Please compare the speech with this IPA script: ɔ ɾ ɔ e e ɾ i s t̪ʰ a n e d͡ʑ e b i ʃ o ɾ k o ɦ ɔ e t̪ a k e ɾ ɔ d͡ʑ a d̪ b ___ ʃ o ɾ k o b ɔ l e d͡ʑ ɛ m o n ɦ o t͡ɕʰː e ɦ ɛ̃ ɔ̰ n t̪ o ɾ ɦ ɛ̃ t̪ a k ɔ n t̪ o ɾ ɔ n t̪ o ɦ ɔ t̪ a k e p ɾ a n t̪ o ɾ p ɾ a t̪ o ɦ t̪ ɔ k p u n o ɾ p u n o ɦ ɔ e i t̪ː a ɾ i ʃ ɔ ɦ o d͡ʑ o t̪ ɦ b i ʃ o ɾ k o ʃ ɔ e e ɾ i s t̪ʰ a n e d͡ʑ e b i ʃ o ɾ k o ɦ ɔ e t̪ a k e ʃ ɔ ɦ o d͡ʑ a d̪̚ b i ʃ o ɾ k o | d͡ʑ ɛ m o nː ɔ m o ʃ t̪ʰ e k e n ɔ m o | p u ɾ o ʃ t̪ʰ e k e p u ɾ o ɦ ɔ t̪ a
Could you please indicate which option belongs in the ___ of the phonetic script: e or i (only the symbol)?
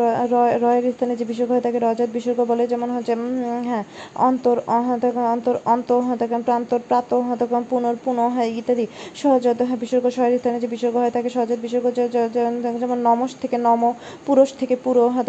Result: i